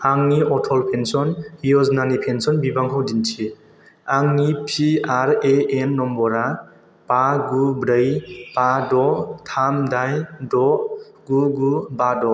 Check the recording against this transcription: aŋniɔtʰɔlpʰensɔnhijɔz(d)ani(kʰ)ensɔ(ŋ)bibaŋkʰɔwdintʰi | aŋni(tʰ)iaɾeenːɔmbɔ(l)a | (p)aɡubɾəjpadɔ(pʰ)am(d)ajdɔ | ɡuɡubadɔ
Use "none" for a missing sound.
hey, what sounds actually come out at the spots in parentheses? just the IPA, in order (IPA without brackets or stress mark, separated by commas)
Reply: n, pʰ, n, pʰ, ɾ, p, tʰ, d